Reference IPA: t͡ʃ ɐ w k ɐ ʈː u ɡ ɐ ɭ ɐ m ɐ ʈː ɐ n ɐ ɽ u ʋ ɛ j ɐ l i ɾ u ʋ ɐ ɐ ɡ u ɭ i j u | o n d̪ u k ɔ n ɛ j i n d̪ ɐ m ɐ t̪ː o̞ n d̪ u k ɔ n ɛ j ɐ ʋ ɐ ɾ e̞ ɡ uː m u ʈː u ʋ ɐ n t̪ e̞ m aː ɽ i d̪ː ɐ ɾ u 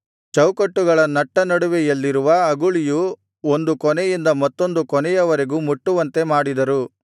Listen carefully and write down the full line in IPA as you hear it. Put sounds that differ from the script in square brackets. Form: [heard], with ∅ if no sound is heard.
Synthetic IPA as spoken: t͡ʃ ɐ w k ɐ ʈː u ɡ ɐ ɭ ɐ [n] ɐ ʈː ɐ n ɐ ɽ u ʋ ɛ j ɐ [lː] i ɾ u ʋ ɐ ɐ ɡ u ɭ i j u | o n d̪ u k ɔ n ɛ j i n d̪ ɐ m ɐ t̪ː o̞ n d̪ u k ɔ n ɛ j ɐ ʋ ɐ ɾ e̞ ɡ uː m u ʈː u ʋ ɐ n t̪ e̞ m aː ɽ i [d̪] ɐ ɾ u

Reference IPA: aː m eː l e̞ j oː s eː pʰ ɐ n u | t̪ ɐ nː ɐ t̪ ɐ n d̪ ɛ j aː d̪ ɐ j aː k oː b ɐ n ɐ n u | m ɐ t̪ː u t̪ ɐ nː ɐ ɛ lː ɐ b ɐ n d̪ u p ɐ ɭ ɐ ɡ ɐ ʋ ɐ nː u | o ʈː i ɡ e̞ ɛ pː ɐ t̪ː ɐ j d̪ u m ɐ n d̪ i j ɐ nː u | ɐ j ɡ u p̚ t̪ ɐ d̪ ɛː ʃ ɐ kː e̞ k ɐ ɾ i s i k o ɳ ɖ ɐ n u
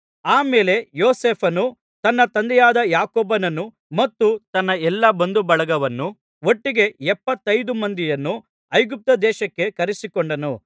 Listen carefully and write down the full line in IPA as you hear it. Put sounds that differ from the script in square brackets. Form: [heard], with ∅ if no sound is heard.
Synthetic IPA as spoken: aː m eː l e̞ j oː s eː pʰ ɐ n u | t̪ ɐ nː ɐ t̪ ɐ n d̪ ɛ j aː d̪ ɐ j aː k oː b ɐ n ɐ n u | m ɐ t̪ː u t̪ ɐ nː ɐ ɛ lː ɐ b ɐ n d̪ u [b] ɐ ɭ ɐ ɡ ɐ ʋ ɐ nː u | o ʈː i ɡ e̞ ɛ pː ɐ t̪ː ɐ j d̪ u m ɐ n d̪ i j ɐ nː u | ɐ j ɡ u p̚ t̪ ɐ d̪ ɛː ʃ ɐ kː e̞ k ɐ ɾ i s i k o ɳ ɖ ɐ n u

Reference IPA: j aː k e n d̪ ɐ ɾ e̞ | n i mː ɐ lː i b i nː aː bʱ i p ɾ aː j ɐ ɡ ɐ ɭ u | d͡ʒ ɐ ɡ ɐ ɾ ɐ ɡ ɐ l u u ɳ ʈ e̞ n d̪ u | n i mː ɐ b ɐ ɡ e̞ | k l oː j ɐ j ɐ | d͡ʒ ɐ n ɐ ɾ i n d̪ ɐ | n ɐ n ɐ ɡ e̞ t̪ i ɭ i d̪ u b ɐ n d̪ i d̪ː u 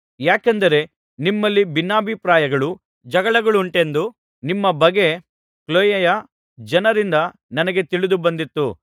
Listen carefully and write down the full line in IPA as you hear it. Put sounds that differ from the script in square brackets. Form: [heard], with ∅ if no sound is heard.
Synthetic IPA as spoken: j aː k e n d̪ ɐ ɾ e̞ | n i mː ɐ lː i b i nː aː bʱ i p ɾ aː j ɐ ɡ ɐ ɭ u | d͡ʒ ɐ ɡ ɐ [ɭ] ɐ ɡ ɐ [ɭ] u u ɳ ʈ e̞ n d̪ u | n i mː ɐ b ɐ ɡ e̞ | k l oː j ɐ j ɐ | d͡ʒ ɐ n ɐ ɾ i n d̪ ɐ | n ɐ n ɐ ɡ e̞ t̪ i ɭ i d̪ u b ɐ n d̪ i [t̪ː] u

